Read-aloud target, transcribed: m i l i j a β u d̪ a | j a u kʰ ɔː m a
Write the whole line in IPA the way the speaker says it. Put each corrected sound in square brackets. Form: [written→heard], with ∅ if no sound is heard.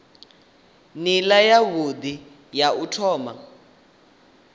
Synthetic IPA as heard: [m→n] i l [i→a] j a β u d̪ [a→i] | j a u [kʰ→tʰ] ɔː m a

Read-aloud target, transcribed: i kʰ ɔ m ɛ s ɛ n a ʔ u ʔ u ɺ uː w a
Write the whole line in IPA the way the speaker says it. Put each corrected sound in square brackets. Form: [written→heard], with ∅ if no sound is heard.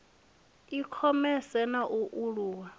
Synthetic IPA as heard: i kʰ ɔ m ɛ s ɛ n a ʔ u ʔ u ɺ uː w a

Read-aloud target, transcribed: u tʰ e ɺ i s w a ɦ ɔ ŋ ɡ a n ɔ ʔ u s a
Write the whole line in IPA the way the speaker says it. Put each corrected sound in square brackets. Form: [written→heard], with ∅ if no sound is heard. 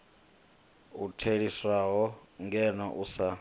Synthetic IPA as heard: u tʰ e ɺ i s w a ɦ ɔ ŋ ɡ [a→ɛ] n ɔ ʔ u s a

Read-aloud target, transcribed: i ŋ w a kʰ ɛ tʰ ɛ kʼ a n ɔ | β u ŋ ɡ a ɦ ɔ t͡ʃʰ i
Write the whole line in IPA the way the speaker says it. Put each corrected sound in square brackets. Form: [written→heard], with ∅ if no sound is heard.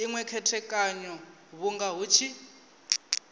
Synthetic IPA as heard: i ŋ w [a→ɛ] kʰ ɛ tʰ ɛ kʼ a [n→ɲ] ɔ | β u ŋ ɡ a ɦ [ɔ→u] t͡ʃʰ i

